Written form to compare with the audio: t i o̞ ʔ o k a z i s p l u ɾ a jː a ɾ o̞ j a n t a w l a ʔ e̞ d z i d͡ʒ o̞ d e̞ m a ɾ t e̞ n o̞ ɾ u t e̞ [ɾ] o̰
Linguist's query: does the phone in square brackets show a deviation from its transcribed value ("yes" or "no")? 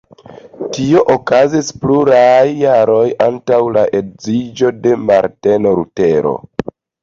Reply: no